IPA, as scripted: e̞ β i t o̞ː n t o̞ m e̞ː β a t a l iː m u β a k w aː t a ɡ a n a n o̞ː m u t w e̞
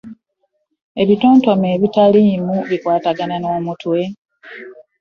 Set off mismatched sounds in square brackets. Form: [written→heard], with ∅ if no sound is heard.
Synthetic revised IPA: e̞ β i t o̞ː n t o̞ m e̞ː β [a→i] t a l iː m u β [a→i] k w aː t a ɡ a n a n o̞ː m u t w e̞